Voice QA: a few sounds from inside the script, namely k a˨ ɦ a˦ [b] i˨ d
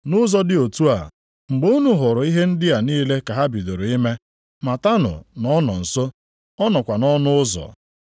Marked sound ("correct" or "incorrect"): correct